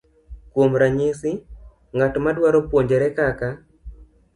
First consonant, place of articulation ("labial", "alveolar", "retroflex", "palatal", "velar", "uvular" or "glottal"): velar